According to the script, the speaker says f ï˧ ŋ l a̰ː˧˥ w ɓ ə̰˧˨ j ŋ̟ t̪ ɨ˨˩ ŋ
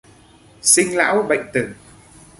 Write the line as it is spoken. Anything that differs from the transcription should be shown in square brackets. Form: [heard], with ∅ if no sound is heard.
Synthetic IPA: [s] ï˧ ŋ l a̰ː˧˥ w ɓ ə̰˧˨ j ŋ̟ t̪ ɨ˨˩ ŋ